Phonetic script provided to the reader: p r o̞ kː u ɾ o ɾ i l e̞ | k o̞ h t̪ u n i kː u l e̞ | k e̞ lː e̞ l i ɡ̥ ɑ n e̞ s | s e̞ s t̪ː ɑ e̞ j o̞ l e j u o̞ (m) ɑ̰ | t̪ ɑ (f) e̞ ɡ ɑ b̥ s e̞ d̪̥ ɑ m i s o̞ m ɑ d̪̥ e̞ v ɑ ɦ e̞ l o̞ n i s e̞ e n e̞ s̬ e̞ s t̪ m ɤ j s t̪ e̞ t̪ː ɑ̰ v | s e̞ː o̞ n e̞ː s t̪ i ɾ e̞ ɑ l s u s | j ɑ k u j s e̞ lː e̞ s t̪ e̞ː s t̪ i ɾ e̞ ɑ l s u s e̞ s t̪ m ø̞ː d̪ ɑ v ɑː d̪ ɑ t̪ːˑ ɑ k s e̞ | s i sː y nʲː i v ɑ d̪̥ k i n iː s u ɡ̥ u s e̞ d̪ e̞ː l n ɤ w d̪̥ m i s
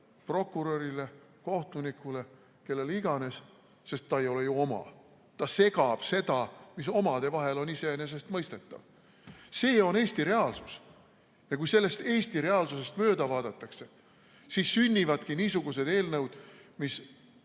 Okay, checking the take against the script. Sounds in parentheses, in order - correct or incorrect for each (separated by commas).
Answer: correct, incorrect